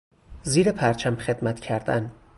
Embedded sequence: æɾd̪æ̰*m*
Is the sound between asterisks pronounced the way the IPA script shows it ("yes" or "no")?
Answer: no